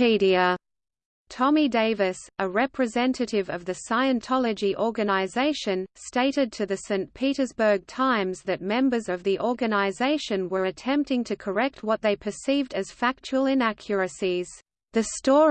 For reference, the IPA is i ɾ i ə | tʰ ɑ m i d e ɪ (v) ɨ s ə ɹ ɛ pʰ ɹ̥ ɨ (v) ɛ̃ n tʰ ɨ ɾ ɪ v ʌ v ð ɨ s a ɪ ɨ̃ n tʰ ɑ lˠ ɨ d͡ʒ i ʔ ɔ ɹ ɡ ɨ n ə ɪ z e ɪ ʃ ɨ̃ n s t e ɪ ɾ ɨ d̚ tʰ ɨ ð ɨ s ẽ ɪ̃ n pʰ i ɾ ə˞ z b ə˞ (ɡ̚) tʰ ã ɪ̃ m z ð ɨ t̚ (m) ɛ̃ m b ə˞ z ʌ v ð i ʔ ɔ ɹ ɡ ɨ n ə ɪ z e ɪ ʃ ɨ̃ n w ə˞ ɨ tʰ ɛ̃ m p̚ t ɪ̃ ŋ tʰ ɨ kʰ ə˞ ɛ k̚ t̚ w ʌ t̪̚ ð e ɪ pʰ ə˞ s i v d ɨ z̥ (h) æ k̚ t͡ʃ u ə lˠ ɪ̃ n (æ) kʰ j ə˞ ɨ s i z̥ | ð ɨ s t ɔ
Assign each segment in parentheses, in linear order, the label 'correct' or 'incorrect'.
correct, incorrect: z, correct, correct, incorrect: f, correct

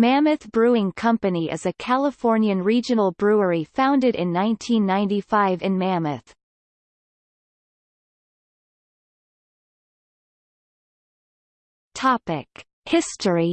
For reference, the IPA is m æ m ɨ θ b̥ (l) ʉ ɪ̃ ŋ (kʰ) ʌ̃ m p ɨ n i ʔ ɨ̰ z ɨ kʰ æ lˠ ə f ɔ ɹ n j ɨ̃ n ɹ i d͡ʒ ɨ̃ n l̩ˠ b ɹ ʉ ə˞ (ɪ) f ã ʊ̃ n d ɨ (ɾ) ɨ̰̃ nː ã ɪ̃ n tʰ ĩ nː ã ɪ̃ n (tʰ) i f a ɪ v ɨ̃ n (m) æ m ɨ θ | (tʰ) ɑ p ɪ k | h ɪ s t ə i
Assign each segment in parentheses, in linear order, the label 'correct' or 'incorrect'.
incorrect: ɹ, correct, incorrect: i, correct, incorrect: t, correct, correct

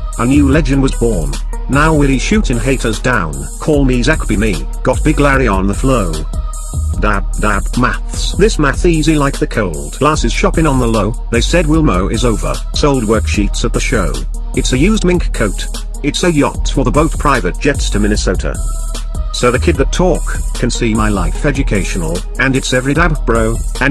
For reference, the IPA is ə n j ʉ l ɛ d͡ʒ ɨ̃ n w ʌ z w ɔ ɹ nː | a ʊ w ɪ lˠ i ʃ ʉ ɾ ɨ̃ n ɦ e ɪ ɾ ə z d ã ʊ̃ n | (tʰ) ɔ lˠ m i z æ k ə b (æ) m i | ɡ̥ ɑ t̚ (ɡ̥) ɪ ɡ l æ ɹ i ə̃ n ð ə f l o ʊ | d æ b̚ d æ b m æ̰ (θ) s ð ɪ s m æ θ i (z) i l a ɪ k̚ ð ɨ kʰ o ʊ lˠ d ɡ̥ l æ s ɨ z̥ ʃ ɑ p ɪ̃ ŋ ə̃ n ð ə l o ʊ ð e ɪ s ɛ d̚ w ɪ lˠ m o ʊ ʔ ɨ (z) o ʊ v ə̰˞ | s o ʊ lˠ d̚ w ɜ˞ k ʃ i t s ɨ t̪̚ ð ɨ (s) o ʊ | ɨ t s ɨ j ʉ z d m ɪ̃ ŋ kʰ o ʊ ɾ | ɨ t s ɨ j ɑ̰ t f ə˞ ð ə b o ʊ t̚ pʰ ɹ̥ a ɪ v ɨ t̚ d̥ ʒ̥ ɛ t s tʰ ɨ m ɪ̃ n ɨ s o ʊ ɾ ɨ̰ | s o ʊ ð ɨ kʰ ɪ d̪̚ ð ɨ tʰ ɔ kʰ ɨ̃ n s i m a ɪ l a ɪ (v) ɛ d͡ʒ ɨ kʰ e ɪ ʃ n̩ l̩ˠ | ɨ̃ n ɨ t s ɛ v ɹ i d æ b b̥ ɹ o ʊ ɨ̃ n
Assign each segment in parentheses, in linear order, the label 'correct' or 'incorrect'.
incorrect: kʰ, incorrect: i, incorrect: b̥, correct, correct, correct, incorrect: ʃ, incorrect: f

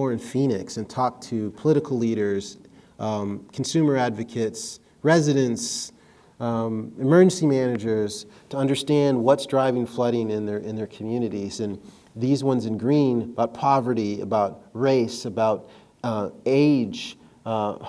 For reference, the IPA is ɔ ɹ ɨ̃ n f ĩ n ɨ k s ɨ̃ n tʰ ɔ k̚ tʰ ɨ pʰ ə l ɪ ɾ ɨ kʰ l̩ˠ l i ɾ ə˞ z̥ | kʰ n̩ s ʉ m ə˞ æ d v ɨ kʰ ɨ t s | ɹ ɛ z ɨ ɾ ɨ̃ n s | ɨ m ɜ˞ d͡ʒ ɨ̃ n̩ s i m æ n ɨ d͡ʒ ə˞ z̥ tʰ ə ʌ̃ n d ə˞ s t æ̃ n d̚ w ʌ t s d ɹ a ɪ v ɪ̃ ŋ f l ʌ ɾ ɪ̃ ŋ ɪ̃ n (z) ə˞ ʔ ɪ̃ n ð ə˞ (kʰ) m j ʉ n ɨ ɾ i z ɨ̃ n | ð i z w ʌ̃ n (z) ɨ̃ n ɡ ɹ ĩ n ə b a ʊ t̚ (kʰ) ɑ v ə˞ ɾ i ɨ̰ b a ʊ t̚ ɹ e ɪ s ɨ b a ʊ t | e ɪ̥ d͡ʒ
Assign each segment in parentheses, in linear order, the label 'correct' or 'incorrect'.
incorrect: ð, correct, correct, incorrect: pʰ

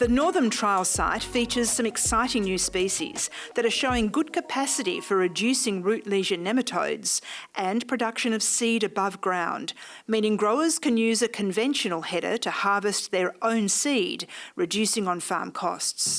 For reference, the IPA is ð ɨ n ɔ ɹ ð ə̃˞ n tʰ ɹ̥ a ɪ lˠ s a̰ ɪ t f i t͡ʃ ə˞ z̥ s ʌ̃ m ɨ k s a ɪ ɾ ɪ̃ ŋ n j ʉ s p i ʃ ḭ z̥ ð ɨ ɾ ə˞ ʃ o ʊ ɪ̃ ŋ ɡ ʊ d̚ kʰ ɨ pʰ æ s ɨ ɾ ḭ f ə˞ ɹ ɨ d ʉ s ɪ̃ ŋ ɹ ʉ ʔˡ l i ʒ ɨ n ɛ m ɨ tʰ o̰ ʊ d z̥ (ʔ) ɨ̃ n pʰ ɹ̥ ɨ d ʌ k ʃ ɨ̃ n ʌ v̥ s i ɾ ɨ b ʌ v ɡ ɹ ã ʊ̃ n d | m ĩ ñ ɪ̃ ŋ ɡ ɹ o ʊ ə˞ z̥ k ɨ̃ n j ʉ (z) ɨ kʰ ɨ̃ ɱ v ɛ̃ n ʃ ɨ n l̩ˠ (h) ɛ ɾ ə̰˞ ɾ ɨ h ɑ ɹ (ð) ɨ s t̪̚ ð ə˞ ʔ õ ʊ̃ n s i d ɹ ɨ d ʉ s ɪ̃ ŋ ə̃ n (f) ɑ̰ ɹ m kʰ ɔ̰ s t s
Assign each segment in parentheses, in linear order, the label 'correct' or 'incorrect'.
correct, correct, correct, incorrect: v, correct

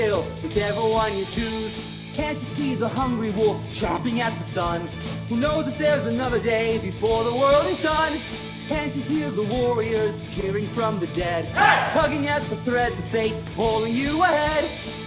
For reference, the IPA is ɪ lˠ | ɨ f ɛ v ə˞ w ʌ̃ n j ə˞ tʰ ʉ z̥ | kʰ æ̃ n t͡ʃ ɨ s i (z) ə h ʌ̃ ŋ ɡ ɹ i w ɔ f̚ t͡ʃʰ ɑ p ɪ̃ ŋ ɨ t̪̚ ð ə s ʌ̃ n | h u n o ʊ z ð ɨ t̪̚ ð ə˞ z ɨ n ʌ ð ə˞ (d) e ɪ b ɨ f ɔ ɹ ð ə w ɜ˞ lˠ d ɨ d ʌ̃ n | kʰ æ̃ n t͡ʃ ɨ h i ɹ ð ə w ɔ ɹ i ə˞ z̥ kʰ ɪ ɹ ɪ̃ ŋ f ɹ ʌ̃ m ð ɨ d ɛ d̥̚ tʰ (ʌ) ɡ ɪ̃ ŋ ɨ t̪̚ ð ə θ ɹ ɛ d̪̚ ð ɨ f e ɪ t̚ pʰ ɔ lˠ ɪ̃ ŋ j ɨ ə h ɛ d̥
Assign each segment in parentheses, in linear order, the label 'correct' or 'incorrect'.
incorrect: ð, correct, correct

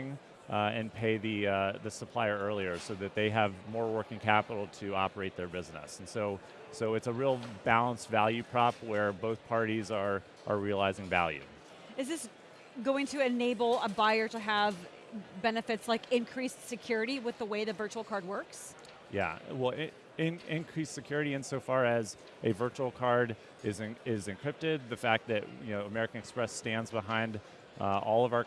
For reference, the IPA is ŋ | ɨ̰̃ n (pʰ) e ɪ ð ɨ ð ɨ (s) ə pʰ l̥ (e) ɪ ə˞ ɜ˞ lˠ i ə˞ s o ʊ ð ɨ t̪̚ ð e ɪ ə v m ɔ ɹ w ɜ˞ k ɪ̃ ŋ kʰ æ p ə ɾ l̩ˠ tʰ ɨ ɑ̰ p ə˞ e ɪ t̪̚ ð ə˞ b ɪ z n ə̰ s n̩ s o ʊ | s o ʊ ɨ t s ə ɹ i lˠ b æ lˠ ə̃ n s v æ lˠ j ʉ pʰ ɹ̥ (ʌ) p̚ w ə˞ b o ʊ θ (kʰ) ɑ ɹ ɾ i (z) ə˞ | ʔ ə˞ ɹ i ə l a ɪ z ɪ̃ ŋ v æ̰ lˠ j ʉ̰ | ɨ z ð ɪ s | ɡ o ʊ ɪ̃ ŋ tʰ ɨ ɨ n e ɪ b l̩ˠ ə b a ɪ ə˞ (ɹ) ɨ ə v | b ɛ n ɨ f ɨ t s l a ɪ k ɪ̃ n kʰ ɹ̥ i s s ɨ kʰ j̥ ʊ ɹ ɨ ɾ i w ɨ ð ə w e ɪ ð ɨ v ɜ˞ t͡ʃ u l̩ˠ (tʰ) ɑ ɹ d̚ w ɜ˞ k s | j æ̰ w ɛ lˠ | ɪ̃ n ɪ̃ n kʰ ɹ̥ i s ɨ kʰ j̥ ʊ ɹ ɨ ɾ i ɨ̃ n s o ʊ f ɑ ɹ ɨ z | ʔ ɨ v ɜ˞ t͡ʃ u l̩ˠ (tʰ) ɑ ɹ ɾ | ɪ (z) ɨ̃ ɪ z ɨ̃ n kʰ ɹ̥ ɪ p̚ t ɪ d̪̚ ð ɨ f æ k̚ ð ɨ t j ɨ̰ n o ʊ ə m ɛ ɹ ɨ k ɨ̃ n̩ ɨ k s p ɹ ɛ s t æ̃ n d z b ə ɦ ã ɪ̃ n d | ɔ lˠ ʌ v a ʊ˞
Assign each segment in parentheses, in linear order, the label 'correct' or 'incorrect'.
correct, correct, incorrect: a, incorrect: ɑ, incorrect: pʰ, correct, incorrect: ɾ, incorrect: kʰ, incorrect: kʰ, correct

